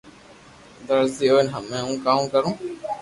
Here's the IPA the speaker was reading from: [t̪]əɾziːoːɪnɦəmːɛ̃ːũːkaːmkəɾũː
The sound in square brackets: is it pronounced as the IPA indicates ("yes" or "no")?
no